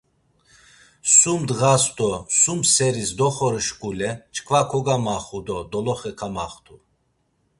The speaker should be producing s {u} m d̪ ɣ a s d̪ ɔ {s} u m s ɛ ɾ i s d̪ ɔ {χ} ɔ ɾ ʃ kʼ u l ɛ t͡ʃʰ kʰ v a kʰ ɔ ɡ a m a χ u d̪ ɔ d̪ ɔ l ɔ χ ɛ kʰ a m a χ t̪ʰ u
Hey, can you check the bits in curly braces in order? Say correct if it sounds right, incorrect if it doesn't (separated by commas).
correct, correct, correct